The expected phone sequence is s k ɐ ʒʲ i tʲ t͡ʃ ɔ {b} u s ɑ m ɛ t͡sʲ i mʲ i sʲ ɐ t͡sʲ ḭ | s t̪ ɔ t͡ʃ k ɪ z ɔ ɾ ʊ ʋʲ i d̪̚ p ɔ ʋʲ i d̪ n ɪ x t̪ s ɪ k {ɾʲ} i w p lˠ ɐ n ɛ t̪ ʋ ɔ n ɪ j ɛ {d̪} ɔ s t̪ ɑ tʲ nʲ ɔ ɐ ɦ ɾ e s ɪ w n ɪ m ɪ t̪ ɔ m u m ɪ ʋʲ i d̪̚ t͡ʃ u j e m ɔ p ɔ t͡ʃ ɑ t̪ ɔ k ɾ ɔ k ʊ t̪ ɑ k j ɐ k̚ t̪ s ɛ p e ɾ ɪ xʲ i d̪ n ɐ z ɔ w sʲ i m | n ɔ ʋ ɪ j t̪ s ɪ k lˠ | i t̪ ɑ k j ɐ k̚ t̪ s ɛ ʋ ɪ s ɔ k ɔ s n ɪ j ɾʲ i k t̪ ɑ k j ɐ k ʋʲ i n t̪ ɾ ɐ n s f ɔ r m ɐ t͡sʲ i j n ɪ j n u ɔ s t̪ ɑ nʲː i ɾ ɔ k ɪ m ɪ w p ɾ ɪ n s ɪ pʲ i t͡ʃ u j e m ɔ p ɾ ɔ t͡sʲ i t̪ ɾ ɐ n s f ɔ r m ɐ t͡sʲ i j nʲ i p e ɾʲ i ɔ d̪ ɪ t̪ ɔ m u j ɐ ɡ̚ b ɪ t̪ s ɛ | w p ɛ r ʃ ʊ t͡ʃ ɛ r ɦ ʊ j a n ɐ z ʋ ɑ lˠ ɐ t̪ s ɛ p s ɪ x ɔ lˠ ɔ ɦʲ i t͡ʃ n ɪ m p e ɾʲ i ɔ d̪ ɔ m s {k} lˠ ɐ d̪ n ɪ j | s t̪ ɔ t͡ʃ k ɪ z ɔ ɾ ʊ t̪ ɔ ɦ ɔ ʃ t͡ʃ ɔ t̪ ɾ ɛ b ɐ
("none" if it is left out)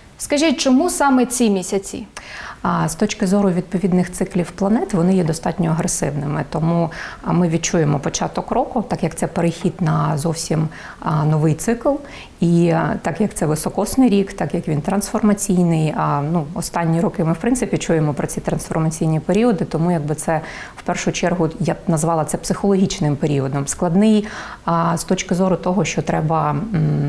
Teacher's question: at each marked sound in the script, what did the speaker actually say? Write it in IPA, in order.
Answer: m, lʲ, d̪, k

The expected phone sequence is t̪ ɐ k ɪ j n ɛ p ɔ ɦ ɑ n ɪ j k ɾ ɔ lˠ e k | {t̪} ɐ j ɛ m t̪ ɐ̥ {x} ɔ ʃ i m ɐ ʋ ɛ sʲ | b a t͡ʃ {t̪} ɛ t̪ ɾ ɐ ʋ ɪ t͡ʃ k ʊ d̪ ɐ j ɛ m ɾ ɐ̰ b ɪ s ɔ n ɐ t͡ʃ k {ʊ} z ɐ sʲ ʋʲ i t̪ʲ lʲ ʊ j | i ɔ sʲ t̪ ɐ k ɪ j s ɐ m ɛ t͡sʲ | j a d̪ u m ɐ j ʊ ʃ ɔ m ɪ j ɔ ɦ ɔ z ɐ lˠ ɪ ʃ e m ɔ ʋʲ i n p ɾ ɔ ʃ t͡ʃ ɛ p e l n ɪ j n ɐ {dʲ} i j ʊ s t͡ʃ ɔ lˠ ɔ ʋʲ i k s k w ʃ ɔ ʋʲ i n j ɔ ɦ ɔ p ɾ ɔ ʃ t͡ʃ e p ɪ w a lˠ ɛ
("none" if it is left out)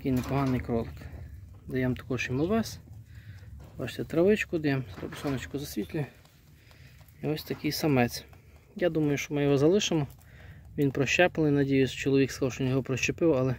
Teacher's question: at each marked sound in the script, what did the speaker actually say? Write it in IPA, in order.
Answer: d̪, k, t̪, ʊ, dʲ

